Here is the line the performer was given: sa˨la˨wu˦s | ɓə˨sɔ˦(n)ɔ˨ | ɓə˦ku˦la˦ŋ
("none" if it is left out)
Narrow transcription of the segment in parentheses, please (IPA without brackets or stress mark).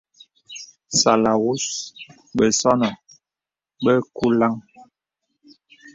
n